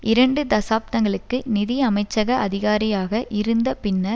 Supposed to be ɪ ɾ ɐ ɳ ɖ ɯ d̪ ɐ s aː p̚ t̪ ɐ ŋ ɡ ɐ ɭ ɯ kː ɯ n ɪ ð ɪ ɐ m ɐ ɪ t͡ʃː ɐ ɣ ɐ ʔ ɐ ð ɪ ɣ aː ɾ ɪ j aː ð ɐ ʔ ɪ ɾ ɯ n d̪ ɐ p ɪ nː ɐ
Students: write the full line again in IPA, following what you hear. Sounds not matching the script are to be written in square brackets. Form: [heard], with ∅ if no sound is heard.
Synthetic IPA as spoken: ɪ ɾ ɐ ɳ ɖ ɯ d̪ ɐ s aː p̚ t̪ ɐ ŋ ɡ ɐ ɭ ɯ kː ɯ n ɪ ð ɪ ɐ m ɐ ɪ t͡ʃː ɐ ɣ ɐ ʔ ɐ ð ɪ ɣ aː ɾ ɪ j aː [ɣ] ɐ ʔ ɪ ɾ ɯ n d̪ ɐ p ɪ nː ɐ